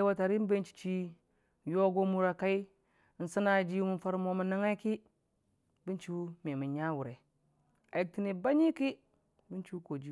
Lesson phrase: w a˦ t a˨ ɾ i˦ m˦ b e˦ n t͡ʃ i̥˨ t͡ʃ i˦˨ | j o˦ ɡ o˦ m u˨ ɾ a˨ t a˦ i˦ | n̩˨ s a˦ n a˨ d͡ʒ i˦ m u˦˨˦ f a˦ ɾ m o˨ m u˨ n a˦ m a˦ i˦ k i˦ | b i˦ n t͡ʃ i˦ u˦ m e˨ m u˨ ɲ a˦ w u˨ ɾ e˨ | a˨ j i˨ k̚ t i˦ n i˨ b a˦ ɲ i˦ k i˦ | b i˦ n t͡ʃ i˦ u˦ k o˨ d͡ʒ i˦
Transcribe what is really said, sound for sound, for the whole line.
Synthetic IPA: w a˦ t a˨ ɾ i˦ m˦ b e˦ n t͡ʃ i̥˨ t͡ʃ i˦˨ | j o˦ ɡ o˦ m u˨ ɾ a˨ k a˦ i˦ | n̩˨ s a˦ n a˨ d͡ʒ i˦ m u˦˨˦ f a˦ ɾ m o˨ m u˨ n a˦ ŋ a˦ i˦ k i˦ | b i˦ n t͡ʃ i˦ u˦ m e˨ m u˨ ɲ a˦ w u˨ ɾ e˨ | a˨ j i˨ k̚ t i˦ n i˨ b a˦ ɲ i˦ k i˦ | b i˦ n t͡ʃ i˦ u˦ k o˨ d͡ʒ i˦